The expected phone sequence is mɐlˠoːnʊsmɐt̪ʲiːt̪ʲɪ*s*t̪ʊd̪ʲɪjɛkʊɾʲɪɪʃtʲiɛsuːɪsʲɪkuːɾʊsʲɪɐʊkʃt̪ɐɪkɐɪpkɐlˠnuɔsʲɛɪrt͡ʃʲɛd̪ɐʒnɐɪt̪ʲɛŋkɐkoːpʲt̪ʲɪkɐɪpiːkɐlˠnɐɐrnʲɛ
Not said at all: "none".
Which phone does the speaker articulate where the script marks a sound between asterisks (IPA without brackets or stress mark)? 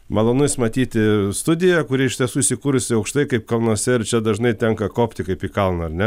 s